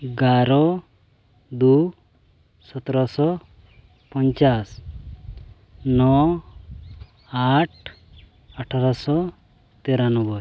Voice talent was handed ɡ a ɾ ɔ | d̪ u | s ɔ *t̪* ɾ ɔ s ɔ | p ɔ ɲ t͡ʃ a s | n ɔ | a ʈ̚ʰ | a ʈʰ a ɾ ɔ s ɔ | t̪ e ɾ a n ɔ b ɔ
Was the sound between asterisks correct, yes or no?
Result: yes